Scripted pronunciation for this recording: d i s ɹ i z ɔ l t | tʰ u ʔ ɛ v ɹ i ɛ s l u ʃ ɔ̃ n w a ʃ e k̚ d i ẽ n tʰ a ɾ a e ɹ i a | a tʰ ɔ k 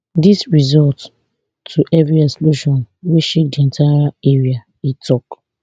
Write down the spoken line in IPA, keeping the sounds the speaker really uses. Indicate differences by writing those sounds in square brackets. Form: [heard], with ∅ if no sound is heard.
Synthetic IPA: d i s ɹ i z ɔ l t | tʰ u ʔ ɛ v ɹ i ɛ s l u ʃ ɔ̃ n w [e] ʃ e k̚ d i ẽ n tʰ a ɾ a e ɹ i a | [i] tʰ ɔ k